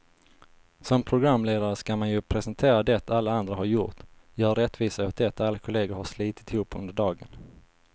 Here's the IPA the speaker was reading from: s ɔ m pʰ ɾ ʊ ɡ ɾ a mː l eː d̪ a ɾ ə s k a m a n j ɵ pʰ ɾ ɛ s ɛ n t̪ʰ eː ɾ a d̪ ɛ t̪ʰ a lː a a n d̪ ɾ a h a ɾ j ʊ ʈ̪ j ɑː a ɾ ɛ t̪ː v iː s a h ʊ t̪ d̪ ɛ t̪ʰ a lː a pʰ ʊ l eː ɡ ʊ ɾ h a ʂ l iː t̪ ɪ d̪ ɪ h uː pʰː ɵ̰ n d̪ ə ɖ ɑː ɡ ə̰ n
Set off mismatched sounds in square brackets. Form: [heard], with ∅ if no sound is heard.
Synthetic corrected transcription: s ɔ m pʰ ɾ ʊ ɡ ɾ a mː l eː d̪ a ɾ ə s k a m a n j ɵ pʰ ɾ ɛ s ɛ n t̪ʰ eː ɾ a d̪ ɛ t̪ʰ a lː a a n d̪ ɾ a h a ɾ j ʊ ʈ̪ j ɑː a ɾ ɛ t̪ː v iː s a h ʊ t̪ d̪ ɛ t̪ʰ a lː a [kʰ] ʊ l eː ɡ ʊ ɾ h a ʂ l iː t̪ ɪ [t̪] ɪ h uː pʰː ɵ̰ n d̪ ə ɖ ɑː ɡ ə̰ n